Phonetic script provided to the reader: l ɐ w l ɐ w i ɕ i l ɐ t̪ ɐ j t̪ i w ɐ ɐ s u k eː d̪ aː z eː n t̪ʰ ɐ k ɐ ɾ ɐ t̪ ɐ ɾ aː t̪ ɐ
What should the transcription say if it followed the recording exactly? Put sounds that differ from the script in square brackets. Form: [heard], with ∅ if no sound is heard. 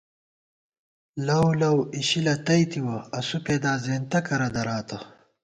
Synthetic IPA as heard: l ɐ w l ɐ w i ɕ i l ɐ t̪ ɐ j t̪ i w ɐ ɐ s u [p] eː d̪ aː z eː n [t̪] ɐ k ɐ ɾ ɐ [d̪] ɐ ɾ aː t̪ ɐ

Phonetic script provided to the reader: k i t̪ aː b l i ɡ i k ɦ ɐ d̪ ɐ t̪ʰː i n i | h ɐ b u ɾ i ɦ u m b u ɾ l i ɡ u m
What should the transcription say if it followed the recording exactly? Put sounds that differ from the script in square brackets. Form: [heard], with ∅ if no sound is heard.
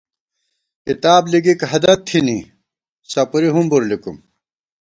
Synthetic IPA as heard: k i t̪ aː b l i ɡ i k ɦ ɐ d̪ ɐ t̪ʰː i n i | [s] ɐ [p] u ɾ i ɦ u m b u ɾ l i [k] u m

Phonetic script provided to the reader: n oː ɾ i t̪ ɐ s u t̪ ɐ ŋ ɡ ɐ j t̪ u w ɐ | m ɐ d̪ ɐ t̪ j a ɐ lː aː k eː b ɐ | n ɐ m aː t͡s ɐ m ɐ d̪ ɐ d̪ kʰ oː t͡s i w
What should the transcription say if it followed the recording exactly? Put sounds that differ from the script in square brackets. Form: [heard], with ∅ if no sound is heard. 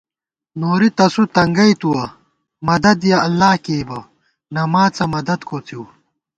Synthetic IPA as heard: n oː ɾ i t̪ ɐ s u t̪ ɐ ŋ ɡ ɐ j t̪ u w ɐ | m ɐ d̪ ɐ [d̪] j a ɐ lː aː k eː b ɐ | n ɐ m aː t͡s ɐ m ɐ d̪ ɐ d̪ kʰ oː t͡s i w

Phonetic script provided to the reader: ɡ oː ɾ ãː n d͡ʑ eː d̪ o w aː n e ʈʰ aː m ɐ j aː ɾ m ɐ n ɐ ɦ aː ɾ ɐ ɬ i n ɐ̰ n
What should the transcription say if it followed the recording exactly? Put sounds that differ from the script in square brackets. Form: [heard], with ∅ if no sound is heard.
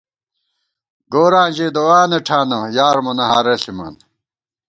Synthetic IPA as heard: ɡ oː ɾ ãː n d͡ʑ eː d̪ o w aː n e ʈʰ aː [n] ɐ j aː ɾ m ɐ n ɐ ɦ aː ɾ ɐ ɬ i [m] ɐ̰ n

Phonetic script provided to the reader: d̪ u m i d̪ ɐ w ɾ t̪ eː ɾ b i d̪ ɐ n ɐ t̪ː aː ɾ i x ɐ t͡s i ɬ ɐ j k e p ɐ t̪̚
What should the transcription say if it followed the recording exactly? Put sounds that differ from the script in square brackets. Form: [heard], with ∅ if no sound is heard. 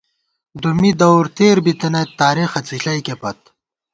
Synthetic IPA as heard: d̪ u m i d̪ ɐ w ɾ t̪ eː ɾ b i [t̪] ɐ n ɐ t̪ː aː ɾ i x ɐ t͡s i ɬ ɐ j k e p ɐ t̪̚

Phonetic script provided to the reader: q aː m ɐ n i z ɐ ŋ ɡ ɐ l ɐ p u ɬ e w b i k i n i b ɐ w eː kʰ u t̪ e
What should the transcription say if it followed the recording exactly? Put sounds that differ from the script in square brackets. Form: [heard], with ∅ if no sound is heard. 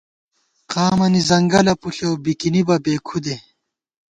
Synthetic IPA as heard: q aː m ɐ n i z ɐ ŋ ɡ ɐ l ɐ p u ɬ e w b i k i n i b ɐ [b] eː kʰ u [d̪] e

